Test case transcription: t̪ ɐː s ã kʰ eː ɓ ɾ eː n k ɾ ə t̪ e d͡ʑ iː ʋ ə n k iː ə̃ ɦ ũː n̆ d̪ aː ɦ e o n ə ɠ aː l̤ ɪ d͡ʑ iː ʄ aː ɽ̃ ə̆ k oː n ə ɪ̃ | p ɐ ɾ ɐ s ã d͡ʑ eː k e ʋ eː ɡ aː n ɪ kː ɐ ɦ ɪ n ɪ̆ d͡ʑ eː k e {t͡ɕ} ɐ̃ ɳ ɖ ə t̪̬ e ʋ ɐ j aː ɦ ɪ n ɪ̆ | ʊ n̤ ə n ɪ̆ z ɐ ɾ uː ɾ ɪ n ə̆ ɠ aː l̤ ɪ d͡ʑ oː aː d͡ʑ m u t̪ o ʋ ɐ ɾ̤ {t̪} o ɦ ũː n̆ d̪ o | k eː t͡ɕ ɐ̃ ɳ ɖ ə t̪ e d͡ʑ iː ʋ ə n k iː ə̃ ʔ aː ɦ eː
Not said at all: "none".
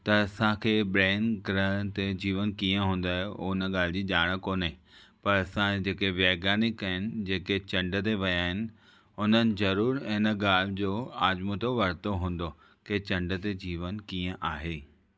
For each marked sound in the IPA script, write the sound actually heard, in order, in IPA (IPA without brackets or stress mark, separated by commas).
t͡ɕ, t̪